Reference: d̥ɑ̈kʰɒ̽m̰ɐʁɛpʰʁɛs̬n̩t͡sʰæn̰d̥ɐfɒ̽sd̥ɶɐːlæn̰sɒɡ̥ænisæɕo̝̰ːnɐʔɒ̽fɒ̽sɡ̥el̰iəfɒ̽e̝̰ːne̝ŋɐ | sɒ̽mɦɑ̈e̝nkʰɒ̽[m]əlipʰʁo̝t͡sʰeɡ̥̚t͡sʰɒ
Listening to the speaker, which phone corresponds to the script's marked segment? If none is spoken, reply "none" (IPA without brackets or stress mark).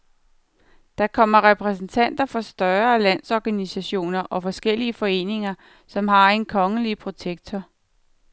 ŋ